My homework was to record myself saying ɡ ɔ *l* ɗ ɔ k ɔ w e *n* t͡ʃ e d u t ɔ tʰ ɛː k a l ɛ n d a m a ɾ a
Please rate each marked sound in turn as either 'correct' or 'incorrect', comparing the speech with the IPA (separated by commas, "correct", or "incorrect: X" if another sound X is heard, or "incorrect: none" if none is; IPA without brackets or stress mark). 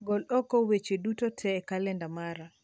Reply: correct, incorrect: none